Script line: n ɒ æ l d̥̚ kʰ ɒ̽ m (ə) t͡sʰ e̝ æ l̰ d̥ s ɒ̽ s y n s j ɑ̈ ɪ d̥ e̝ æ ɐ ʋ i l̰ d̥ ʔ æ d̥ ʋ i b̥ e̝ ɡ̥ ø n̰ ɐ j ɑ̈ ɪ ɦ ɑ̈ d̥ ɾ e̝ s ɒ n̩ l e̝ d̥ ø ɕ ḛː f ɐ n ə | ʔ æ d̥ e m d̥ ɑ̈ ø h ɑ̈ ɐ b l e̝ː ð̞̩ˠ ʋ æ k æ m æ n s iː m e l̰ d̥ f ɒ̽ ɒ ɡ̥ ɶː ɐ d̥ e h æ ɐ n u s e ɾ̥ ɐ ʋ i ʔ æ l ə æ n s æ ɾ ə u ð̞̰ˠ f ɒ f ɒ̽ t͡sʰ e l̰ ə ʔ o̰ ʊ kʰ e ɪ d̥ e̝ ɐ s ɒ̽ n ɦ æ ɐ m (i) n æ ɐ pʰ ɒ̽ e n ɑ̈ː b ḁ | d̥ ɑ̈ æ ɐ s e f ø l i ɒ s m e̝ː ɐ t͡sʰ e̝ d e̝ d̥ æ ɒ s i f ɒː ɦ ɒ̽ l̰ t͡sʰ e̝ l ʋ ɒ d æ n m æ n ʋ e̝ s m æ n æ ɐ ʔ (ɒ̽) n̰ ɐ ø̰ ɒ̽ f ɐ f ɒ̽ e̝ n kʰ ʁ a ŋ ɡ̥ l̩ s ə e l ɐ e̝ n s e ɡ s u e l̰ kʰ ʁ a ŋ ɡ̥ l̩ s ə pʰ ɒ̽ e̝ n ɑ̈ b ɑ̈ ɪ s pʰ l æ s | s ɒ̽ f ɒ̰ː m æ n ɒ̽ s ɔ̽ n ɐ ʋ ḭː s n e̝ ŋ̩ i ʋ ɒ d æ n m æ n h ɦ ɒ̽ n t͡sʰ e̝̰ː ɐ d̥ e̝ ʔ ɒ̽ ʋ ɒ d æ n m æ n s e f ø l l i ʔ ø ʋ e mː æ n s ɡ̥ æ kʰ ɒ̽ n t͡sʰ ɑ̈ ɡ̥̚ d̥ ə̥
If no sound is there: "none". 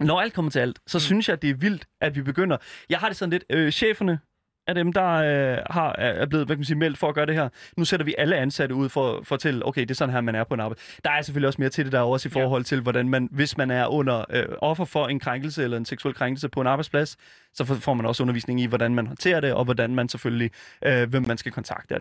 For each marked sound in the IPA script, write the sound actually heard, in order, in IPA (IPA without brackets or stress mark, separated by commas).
ɐ, æ, ɔ̽